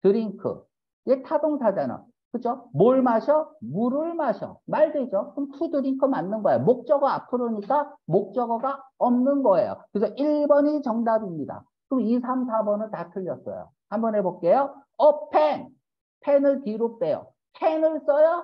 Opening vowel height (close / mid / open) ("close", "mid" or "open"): close